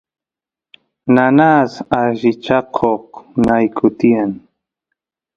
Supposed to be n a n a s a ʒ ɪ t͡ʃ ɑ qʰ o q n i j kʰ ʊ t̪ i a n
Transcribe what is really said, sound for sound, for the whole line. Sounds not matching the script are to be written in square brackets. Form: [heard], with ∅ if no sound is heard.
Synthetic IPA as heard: n a n a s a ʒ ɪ t͡ʃ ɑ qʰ o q n [a] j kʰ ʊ t̪ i a n